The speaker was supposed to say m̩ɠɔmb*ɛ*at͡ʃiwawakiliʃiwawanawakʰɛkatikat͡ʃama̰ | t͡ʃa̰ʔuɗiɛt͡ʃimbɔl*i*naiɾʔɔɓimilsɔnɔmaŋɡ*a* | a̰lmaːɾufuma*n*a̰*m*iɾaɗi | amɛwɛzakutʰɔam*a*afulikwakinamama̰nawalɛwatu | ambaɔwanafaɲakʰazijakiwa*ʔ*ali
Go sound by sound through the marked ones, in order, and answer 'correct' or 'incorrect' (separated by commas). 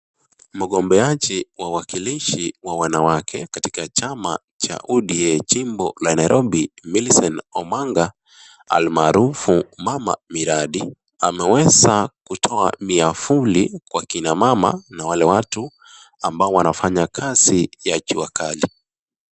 correct, incorrect, correct, incorrect, correct, incorrect, incorrect